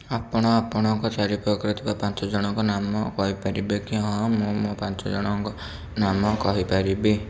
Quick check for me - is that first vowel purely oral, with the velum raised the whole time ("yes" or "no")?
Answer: yes